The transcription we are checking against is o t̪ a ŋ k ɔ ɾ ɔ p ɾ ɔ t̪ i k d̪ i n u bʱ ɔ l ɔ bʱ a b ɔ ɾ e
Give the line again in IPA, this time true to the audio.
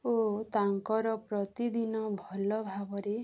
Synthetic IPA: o t̪ a ŋ k ɔ ɾ ɔ p ɾ ɔ t̪ i d̪ i n ɔ bʱ ɔ l ɔ bʱ a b ɔ ɾ e